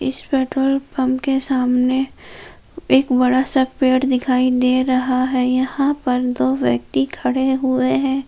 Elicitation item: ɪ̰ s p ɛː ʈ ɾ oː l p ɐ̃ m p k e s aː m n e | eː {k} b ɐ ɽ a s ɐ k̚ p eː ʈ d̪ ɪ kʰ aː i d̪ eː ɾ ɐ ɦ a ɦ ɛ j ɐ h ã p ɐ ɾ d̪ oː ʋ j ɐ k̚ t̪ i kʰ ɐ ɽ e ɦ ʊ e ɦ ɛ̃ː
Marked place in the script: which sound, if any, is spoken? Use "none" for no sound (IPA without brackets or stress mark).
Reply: k